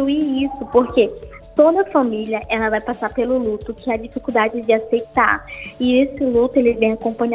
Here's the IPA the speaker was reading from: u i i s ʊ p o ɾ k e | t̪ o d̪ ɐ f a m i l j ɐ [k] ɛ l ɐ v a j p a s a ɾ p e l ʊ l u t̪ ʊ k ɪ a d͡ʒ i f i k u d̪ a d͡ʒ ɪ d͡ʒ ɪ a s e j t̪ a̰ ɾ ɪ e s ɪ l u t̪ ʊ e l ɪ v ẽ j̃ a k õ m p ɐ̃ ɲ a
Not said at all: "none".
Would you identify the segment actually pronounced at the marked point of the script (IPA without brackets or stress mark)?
ʔ